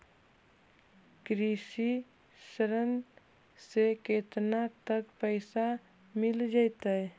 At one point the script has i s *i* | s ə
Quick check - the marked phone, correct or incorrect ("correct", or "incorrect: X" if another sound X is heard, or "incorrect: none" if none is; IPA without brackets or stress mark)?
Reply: correct